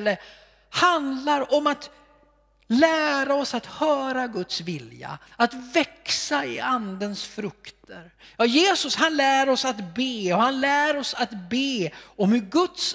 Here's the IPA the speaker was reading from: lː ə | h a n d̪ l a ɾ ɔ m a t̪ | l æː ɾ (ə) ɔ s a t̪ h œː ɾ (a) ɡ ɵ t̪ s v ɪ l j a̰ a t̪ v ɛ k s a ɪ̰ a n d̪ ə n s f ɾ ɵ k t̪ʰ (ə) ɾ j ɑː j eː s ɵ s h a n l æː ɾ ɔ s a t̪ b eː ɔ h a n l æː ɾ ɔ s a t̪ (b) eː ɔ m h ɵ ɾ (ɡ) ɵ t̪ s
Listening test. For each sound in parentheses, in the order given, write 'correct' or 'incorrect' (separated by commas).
incorrect, correct, correct, correct, correct